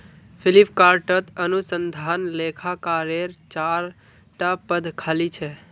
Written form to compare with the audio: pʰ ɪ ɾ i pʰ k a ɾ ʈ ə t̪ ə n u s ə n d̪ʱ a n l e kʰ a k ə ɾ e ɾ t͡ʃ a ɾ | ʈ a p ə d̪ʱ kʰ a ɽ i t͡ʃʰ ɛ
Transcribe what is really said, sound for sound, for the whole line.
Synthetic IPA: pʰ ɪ l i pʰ k a ɾ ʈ ə t̪ ə n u s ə n d̪ʱ a n l e kʰ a k a ɾ e ɾ t͡ʃ a ɾ | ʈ a p ə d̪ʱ kʰ a l i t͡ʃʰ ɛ